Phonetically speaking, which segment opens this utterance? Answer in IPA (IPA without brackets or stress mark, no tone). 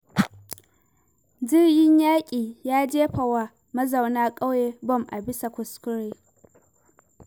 d͡ʒ